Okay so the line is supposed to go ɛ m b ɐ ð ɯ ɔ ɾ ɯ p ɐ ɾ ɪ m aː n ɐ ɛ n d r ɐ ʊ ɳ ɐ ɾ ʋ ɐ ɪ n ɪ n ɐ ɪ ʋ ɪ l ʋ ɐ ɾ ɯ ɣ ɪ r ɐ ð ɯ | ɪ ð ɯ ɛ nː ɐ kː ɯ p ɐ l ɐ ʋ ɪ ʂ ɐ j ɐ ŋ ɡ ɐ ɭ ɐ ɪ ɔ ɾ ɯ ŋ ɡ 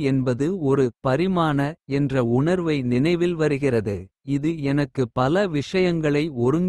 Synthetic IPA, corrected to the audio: ɛ n b ɐ ð ɯ ɔ ɾ ɯ p ɐ ɾ ɪ m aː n ɐ ɛ n d r ɐ ʊ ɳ ɐ ɾ ʋ ɐ ɪ n ɪ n ɐ ɪ ʋ ɪ l ʋ ɐ ɾ ɯ ɣ ɪ r ɐ ð ɯ | ɪ ð ɯ ɛ n ɐ kː ɯ p ɐ l ɐ ʋ ɪ ʂ ɐ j ɐ ŋ ɡ ɐ ɭ ɐ ɪ ɔ ɾ ɯ ŋ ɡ

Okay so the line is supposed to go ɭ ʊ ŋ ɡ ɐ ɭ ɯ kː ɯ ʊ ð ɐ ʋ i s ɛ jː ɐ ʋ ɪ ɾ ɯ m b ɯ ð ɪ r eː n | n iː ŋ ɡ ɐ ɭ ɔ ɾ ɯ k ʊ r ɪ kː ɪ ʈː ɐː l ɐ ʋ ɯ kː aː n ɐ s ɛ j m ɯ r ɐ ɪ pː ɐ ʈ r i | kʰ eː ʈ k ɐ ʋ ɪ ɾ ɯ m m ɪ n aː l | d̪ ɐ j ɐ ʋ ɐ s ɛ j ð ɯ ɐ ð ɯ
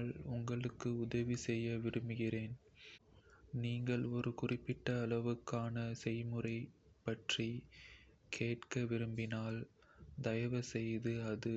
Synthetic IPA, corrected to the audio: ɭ ʊ ŋ ɡ ɐ ɭ ɯ kː ɯ ʊ ð ɐ ʋ i s ɛ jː ɐ ʋ ɪ ɾ ɯ m b ɯ ɣ ɪ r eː n | n iː ŋ ɡ ɐ ɭ ɔ ɾ ɯ k ʊ r ɪ pː ɪ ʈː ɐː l ɐ ʋ ɯ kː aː n ɐ s ɛ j m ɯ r ɐ ɪ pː ɐ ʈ r i | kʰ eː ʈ k ɐ ʋ ɪ ɾ ɯ m b ɪ n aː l | d̪ ɐ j ɐ ʋ ɐ s ɛ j ð ɯ ɐ ð ɯ

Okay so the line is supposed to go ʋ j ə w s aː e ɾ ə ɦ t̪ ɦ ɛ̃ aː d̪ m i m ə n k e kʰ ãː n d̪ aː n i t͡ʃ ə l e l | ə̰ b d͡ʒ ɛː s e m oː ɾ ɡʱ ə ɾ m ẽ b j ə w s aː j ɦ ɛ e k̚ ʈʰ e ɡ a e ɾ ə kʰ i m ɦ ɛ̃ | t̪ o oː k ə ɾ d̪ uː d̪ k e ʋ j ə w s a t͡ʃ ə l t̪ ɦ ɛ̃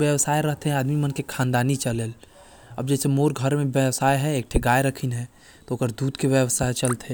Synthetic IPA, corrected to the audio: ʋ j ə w s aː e ɾ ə ɦ t̪ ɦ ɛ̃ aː d̪ m i m ə n k e kʰ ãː n d̪ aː n i t͡ʃ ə l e l | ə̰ b d͡ʒ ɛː s e m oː ɾ ɡʱ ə ɾ m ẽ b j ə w s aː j ɦ ɛ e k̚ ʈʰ e ɡ a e ɾ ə kʰ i n ɦ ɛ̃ | t̪ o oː k ə ɾ d̪ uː d̪ k e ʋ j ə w s a t͡ʃ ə l t̪ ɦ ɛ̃

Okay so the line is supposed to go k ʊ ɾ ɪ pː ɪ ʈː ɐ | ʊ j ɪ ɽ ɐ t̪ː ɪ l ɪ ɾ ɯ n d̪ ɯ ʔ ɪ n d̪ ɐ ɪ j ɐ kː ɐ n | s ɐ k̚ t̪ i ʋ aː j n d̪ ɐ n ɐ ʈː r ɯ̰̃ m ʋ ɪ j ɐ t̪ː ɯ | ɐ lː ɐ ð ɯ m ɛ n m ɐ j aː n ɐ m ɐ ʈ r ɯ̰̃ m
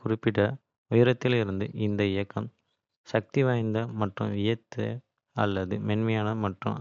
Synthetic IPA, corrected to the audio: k ʊ ɾ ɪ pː ɪ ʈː ɐ | ʊ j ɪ ɾ ɐ t̪ː ɪ l ɪ ɾ ɯ n d̪ ɯ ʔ ɪ n d̪ ɐ ɪ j ɐ kː ɐ m | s ɐ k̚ t̪ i ʋ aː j n d̪ ɐ m ɐ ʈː r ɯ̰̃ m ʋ ɪ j ɐ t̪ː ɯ | ɐ lː ɐ ð ɯ m ɛ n m ɐ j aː n ɐ m ɐ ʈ r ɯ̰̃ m

